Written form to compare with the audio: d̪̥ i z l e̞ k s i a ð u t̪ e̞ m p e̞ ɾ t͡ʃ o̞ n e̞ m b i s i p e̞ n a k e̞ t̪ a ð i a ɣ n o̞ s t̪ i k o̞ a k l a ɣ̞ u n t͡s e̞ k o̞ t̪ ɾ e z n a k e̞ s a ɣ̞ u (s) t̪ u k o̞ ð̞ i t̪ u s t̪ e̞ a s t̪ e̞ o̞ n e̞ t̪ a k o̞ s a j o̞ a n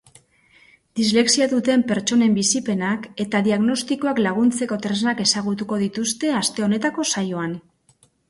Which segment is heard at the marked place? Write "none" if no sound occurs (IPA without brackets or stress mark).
none